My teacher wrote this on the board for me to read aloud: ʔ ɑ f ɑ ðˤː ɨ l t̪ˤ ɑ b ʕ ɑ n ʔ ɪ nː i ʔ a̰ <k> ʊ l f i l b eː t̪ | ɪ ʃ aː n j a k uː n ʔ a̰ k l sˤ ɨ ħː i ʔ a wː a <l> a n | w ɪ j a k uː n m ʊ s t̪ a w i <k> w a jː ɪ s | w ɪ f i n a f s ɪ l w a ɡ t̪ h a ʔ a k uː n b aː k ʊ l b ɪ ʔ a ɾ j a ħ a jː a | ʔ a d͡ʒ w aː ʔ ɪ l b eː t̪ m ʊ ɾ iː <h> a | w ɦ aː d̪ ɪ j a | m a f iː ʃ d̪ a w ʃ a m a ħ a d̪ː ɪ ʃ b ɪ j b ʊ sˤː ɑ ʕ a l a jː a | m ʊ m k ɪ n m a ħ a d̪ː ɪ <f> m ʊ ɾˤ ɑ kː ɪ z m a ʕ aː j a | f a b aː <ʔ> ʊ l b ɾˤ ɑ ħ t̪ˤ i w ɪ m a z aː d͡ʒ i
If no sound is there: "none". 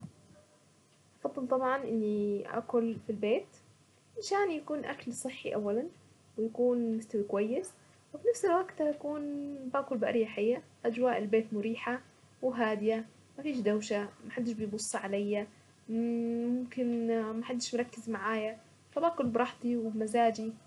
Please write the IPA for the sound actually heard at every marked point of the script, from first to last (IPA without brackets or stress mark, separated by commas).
k, l, k, ħ, ʃ, k